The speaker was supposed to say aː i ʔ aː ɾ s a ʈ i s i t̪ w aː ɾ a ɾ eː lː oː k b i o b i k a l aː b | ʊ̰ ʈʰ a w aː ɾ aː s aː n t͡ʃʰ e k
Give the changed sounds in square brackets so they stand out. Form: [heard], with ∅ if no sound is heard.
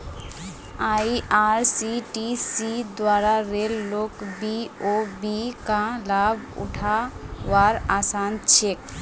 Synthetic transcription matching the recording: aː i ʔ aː ɾ s [i] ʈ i s i [d̪] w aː ɾ a ɾ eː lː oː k b i o b i k a l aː b | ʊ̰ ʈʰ a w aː ɾ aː s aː n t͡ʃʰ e k